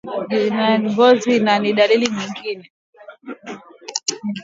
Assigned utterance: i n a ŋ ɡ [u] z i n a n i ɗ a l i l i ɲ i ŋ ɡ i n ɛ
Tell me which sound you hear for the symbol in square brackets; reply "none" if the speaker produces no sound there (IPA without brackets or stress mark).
ɔ